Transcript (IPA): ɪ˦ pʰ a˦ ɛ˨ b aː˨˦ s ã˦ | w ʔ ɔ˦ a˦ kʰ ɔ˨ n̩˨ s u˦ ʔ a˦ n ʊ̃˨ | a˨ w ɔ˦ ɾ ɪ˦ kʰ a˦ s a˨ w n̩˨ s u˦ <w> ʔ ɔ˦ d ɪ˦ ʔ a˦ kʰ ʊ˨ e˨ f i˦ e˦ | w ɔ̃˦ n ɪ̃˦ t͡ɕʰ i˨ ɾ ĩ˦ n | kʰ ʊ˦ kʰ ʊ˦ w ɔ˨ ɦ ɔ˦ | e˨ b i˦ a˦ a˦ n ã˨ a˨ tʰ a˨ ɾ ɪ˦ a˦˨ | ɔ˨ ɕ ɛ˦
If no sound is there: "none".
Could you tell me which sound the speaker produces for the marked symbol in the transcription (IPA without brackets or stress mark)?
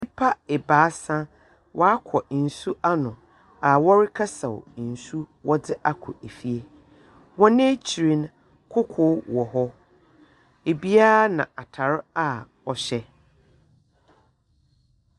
w